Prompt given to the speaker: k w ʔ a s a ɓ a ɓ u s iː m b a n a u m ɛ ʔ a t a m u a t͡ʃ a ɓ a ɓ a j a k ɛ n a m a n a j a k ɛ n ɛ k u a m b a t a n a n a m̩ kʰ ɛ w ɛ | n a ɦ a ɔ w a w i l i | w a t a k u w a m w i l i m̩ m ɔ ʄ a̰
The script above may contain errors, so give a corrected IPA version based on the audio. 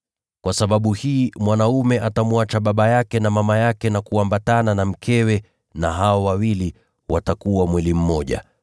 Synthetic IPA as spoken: k w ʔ a s a ɓ a ɓ u h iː m w a n a u m ɛ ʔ a t a m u a t͡ʃ a ɓ a ɓ a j a k ɛ n a m a m a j a k ɛ n a k u a m b a t a n a n a m̩ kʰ ɛ w ɛ | n a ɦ a ɔ w a w i l i | w a t a k u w a m w i l i m̩ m ɔ ʄ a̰

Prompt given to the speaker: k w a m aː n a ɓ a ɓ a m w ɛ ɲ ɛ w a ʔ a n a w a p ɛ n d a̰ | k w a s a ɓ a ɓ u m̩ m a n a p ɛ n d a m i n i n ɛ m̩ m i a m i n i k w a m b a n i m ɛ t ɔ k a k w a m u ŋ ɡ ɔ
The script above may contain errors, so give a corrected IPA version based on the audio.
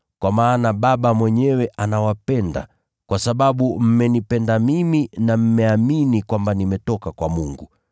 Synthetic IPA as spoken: k w a m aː n a ɓ a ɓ a m w ɛ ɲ ɛ w ɛ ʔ a n a w a p ɛ n d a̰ | k w a s a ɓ a ɓ u m̩ m ɛ n i p ɛ n d a m i m i n a m̩ m ɛ a m i n i k w a m b a n i m ɛ t ɔ k a k w a m u ŋ ɡ u

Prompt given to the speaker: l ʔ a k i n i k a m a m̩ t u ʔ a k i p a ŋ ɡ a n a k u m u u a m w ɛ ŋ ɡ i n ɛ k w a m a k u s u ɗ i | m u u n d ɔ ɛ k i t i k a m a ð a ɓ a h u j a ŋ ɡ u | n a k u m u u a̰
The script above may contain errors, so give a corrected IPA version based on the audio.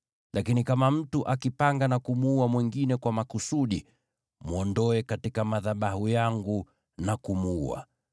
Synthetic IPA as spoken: l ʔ a k i n i k a m a m̩ t u ʔ a k i p a ŋ ɡ a n a k u m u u a m w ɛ ŋ ɡ i n ɛ k w a m a k u s u ɗ i | m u ɔ n d ɔ ɛ k a t i k a m a ð a ɓ a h u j a ŋ ɡ u | n a k u m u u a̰

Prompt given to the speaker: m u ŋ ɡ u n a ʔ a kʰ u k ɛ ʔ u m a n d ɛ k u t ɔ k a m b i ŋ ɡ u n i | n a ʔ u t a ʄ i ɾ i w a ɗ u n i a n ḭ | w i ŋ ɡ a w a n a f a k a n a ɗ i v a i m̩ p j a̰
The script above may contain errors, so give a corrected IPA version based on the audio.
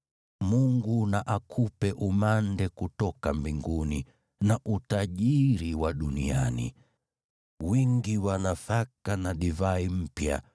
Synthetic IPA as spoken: m u ŋ ɡ u n a ʔ a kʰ u p ɛ ʔ u m a n d ɛ k u t ɔ k a m b i ŋ ɡ u n i | n a ʔ u t a ʄ i ɾ i w a ɗ u n i a n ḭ | w i ŋ ɡ i w a n a f a k a n a ɗ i v a i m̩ p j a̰

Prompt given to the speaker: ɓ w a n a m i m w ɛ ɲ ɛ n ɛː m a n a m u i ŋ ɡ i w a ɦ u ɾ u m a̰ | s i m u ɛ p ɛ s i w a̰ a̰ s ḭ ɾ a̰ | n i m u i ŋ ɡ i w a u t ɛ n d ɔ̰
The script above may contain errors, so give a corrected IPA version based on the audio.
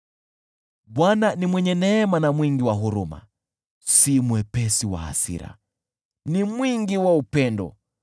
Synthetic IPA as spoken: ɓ w a n a n i m w ɛ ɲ ɛ n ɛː m a n a m w i ŋ ɡ i w a ɦ u ɾ u m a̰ | s i m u ɛ p ɛ s i w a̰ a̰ s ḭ ɾ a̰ | n i m w i ŋ ɡ i w a u p ɛ n d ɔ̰

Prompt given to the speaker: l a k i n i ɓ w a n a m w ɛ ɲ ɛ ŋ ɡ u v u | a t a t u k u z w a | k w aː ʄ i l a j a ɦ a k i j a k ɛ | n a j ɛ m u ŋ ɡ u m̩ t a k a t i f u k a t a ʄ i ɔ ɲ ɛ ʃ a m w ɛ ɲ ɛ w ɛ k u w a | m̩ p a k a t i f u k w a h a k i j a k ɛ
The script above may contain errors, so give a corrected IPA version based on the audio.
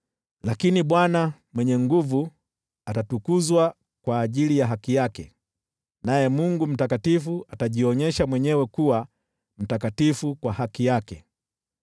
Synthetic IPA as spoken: l a k i n i ɓ w a n a m w ɛ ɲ ɛ ŋ ɡ u v u | a t a t u k u z w a | k w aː ʄ i l i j a ɦ a k i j a k ɛ | n a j ɛ m u ŋ ɡ u m̩ t a k a t i f u a t a ʄ i ɔ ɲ ɛ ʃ a m w ɛ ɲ ɛ w ɛ k u w a | m̩ t a k a t i f u k w a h a k i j a k ɛ

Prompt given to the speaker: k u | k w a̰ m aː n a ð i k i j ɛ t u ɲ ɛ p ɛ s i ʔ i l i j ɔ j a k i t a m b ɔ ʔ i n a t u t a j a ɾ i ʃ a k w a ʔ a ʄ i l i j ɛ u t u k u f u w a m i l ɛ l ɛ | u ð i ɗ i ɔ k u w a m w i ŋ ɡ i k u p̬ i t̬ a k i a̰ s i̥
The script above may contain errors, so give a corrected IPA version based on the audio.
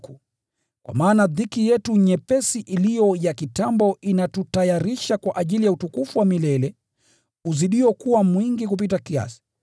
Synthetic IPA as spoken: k u | k w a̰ m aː n a ð i k i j ɛ t u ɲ ɛ p ɛ s i ʔ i l i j ɔ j a k i t a m b ɔ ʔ i n a t u t a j a ɾ i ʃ a k w a ʔ a ʄ i l i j a u t u k u f u w a m i l ɛ l ɛ | u z i ɗ i ɔ k u w a m w i ŋ ɡ i k u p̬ i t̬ a k i a̰ s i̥

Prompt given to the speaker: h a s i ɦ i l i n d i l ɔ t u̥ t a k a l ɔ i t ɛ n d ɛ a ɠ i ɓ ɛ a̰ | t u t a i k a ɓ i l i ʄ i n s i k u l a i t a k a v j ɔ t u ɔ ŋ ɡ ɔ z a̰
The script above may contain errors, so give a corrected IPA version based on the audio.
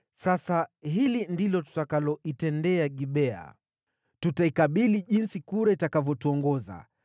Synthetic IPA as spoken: s a s a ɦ i l i n d i l ɔ t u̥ t a k a l ɔ i t ɛ n d ɛ a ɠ i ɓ ɛ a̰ | t u t a i k a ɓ i l i ʄ i n s i k u ɾ a i t a k a v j ɔ t u ɔ ŋ ɡ ɔ z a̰

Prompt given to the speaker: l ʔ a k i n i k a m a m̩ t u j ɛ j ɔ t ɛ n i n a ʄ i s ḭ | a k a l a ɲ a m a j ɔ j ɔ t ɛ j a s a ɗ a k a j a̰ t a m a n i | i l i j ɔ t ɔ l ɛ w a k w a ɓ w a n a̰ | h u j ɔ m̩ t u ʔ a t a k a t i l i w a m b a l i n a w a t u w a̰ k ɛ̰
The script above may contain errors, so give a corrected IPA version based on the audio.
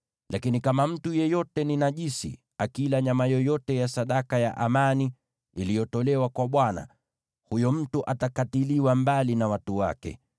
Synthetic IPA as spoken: l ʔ a k i n i k a m a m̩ t u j ɛ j ɔ t ɛ n i n a ʄ i s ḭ | a k i l a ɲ a m a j ɔ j ɔ t ɛ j a s a ɗ a k a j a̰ ʔ a m a n i | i l i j ɔ t ɔ l ɛ w a k w a ɓ w a n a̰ | h u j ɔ m̩ t u ʔ a t a k a t i l i w a m b a l i n a w a t u w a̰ k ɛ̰

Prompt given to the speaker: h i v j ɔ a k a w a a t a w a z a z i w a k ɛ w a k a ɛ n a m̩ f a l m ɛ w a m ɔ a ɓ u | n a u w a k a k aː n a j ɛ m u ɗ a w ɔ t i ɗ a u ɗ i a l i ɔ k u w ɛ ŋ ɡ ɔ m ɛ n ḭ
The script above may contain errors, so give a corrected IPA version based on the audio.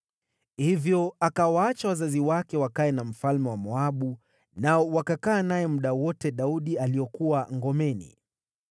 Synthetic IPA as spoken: h i v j ɔ a k a w a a t͡ʃ a w a z a z i w a k ɛ w a k a ɛ n a m̩ f a l m ɛ w a m ɔ a ɓ u | n a ɔ w a k a k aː n a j ɛ m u ɗ a w ɔ t ɛ ɗ a u ɗ i a l i ɔ k u w a ŋ ɡ ɔ m ɛ n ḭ

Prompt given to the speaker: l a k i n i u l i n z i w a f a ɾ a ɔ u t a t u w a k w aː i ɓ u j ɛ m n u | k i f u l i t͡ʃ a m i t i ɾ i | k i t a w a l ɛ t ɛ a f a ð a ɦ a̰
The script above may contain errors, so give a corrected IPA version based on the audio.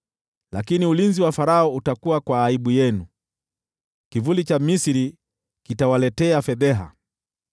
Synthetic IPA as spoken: l a k i n i u l i n z i w a f a ɾ a ɔ u t a k u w a k w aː i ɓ u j ɛ n u | k i v u l i t͡ʃ a m i s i ɾ i | k i t a w a l ɛ t ɛ a f ɛ ð ɛ ɦ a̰

